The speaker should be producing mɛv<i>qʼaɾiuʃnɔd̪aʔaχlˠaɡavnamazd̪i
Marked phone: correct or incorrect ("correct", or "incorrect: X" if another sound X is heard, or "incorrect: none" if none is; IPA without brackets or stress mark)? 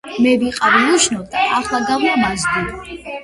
correct